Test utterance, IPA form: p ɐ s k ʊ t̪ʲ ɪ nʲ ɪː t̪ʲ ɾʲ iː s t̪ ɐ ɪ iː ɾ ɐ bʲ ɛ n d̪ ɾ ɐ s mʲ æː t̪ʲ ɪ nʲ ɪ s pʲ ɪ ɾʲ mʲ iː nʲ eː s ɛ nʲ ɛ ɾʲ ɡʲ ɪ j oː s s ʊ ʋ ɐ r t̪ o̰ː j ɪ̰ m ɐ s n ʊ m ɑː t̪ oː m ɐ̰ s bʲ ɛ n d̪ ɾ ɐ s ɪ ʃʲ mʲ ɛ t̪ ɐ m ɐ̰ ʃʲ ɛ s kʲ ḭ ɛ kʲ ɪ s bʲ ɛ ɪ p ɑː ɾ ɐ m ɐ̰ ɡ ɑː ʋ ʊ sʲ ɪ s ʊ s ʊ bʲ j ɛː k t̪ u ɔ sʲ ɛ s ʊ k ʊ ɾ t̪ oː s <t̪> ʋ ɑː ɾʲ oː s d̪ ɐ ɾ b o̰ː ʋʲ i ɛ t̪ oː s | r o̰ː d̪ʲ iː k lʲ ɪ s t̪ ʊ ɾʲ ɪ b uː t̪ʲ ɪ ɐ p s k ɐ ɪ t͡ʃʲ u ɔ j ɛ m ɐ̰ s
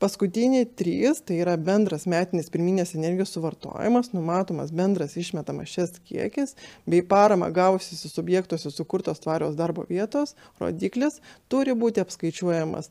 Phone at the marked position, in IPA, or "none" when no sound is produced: t̪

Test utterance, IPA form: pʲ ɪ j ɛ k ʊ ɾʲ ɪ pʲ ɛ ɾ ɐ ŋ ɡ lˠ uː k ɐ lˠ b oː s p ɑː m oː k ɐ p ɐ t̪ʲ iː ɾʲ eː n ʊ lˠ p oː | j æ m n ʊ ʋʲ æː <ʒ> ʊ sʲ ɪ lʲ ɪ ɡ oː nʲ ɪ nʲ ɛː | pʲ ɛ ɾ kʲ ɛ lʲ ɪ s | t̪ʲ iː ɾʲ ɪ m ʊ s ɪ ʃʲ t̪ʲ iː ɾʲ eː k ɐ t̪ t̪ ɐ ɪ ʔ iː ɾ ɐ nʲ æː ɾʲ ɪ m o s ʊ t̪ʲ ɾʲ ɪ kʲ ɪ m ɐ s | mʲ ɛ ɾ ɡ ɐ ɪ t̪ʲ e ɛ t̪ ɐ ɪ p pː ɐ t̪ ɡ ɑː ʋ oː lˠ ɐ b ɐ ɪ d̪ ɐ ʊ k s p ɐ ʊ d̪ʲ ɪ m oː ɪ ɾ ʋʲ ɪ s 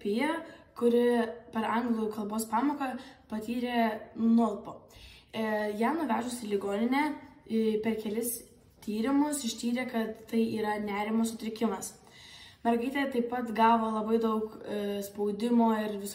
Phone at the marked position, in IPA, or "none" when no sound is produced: ʒ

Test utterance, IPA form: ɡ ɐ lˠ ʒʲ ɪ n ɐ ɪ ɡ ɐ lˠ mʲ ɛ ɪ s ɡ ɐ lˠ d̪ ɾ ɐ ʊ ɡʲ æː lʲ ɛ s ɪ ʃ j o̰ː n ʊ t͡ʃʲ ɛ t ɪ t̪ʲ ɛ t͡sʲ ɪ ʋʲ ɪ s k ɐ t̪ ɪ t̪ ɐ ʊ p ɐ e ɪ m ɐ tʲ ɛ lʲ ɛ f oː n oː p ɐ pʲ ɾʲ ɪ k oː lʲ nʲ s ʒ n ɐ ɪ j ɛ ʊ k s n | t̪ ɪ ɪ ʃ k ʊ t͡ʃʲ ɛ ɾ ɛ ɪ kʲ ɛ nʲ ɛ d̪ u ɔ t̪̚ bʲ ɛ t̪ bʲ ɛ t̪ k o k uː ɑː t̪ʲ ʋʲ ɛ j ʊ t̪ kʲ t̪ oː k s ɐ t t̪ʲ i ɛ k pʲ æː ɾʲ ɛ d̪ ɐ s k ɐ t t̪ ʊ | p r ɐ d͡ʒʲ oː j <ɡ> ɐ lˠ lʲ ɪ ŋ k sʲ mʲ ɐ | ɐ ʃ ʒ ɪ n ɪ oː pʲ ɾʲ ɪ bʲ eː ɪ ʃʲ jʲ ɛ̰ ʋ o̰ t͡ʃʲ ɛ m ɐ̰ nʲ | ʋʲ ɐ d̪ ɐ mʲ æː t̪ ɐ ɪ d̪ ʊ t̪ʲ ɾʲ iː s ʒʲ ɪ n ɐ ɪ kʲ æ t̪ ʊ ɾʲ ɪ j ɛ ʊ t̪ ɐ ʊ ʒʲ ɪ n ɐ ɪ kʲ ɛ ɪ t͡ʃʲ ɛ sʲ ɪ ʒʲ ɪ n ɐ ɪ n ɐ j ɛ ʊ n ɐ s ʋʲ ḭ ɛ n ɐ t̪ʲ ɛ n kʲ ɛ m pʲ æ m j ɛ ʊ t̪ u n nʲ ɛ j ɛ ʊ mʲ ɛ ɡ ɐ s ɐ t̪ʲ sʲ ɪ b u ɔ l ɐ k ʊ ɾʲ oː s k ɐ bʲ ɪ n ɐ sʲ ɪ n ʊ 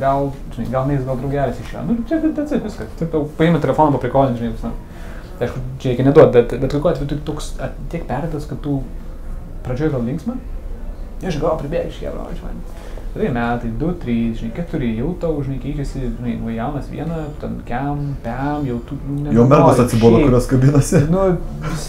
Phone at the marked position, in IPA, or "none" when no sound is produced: ɡ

